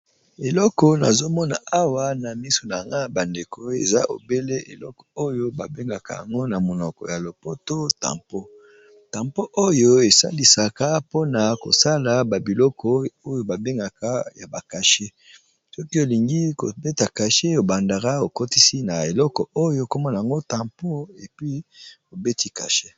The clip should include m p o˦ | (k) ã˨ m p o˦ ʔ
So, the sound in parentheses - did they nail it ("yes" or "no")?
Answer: no